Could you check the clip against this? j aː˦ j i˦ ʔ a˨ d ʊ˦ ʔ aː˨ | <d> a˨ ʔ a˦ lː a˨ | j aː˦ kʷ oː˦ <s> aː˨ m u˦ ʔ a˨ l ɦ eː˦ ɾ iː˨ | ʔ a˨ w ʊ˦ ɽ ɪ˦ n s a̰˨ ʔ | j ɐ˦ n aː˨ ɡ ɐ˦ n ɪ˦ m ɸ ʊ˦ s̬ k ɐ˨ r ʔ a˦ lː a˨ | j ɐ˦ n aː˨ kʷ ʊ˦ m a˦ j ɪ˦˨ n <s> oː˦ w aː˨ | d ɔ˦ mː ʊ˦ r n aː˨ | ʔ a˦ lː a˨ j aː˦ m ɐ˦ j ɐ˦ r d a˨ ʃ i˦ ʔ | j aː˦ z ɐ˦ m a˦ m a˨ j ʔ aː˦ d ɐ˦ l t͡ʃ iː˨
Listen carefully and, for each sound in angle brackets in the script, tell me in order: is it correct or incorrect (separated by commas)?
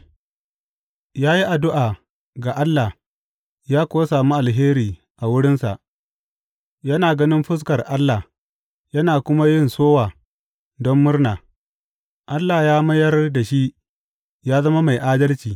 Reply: incorrect, correct, correct